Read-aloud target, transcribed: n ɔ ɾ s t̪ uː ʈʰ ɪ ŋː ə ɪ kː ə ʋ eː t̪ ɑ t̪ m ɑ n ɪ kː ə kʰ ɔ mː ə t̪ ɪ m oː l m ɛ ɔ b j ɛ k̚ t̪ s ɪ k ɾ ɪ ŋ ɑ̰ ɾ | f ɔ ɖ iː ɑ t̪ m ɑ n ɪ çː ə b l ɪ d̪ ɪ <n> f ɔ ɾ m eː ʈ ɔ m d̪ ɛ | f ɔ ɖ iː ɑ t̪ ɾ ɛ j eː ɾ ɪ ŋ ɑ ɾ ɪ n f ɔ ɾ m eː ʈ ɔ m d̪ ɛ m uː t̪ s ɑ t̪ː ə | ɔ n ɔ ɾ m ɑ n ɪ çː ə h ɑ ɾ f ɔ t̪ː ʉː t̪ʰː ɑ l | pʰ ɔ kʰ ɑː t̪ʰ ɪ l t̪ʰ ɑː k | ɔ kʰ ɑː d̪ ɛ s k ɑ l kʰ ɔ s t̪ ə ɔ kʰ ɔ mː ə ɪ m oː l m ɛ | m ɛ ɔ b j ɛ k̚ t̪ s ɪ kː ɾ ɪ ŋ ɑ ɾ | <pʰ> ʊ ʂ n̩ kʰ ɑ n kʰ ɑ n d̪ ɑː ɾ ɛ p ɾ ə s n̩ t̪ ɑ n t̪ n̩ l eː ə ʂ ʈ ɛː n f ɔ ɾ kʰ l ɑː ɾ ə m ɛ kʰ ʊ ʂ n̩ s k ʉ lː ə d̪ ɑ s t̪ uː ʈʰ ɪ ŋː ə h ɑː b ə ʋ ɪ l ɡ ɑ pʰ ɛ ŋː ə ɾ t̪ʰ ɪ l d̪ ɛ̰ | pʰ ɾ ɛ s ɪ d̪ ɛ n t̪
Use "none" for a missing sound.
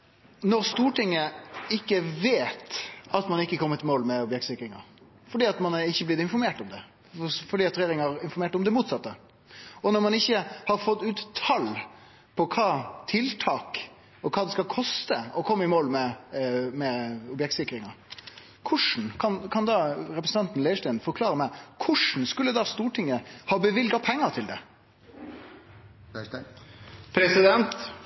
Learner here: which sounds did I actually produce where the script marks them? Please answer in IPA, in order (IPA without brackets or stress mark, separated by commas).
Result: n, kʰ